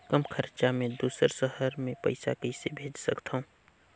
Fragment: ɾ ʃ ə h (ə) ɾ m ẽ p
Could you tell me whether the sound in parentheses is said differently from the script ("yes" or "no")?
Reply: no